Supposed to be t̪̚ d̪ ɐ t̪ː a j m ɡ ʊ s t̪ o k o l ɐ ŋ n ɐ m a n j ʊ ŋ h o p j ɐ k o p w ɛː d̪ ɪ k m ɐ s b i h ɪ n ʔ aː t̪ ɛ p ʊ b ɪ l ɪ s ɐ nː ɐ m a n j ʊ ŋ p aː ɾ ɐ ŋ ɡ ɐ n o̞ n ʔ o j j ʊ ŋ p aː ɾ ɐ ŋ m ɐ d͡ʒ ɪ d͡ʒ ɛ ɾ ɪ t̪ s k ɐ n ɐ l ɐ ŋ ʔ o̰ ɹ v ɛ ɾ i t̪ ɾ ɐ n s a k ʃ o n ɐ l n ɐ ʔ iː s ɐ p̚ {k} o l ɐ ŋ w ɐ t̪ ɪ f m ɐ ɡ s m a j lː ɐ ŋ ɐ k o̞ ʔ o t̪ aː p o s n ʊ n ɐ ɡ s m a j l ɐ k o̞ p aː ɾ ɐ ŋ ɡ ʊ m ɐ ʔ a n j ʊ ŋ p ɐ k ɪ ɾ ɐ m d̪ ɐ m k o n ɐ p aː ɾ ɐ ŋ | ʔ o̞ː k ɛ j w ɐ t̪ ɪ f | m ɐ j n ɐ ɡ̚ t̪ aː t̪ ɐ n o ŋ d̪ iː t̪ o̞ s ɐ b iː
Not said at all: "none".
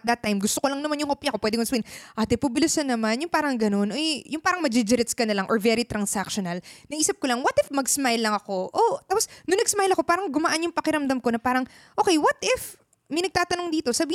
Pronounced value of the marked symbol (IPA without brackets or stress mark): k